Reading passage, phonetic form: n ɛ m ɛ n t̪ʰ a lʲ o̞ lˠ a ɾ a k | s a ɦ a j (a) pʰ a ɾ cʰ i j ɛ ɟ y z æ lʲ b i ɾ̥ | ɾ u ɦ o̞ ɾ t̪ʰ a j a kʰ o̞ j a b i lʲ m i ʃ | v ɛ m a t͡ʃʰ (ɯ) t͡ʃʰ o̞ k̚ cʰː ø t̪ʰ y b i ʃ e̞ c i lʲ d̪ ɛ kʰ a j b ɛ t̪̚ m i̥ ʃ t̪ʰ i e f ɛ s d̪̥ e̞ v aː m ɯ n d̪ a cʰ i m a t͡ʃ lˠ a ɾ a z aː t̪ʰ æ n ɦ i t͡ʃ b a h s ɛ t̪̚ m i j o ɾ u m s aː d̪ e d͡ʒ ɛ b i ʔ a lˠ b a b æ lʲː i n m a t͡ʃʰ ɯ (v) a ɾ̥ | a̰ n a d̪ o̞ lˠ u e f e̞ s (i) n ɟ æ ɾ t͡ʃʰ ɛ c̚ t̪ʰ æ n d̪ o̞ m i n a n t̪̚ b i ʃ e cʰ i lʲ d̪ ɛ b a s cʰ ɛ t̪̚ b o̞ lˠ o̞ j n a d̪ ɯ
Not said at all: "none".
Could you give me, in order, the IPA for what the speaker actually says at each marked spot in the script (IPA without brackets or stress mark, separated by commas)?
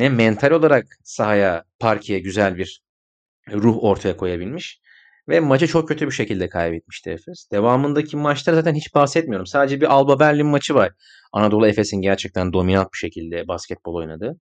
a, ɯ, v, i